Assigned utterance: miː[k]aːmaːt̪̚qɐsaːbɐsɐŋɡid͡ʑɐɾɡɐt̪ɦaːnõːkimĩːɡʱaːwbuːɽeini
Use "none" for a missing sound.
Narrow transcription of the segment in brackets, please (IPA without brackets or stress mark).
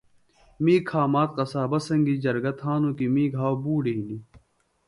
kʰ